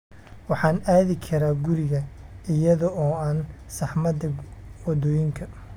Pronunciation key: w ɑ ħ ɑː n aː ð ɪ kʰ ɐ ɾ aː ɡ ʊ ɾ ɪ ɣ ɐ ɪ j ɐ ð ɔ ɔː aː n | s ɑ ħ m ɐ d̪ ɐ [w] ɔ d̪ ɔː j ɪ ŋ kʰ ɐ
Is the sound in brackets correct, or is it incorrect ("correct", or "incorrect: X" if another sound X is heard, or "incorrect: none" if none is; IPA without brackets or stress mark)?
correct